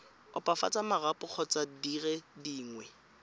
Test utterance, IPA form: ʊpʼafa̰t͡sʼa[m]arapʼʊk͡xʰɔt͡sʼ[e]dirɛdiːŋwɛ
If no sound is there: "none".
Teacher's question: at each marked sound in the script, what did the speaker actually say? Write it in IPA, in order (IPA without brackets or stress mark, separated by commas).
m, a